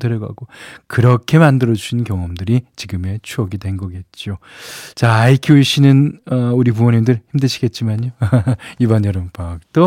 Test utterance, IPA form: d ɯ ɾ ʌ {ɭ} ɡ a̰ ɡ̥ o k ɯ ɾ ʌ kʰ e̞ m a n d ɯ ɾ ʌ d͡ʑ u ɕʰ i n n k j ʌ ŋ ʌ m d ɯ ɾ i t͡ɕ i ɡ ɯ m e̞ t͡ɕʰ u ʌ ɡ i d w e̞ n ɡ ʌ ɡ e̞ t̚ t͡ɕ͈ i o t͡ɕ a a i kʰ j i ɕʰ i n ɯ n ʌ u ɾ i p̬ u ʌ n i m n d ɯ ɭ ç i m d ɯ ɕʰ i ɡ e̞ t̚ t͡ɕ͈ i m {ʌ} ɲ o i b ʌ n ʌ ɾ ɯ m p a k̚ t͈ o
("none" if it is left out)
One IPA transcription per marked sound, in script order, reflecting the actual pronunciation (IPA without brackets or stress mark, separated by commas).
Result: none, a